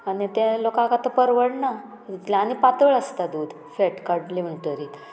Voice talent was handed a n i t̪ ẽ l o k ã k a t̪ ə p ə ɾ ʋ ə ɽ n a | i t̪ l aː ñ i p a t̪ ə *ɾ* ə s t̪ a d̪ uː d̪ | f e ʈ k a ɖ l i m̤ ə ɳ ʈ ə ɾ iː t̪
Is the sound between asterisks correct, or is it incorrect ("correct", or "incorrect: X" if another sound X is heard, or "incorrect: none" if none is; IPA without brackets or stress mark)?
incorrect: ɭ